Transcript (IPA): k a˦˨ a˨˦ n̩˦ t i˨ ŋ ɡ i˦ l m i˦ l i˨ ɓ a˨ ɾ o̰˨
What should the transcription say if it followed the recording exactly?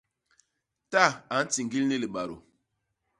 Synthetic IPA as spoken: t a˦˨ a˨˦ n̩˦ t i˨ ŋ ɡ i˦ l n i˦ l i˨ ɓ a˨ ɾ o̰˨